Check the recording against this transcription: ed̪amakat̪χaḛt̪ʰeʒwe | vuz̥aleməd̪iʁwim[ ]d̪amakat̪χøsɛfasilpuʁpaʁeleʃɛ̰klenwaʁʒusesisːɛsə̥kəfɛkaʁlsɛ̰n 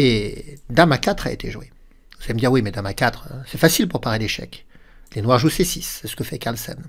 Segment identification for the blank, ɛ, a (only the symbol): ɛ